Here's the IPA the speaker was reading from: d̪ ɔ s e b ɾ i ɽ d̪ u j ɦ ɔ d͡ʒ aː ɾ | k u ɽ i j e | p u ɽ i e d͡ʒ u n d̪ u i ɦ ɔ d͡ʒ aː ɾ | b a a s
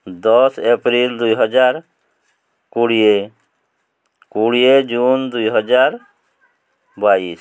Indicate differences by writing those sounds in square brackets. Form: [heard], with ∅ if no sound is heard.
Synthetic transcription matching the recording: d̪ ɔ s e [p] ɾ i [l] d̪ u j ɦ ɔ d͡ʒ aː ɾ | k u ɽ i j e | [k] u ɽ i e d͡ʒ u n d̪ u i ɦ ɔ d͡ʒ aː ɾ | b a [i] s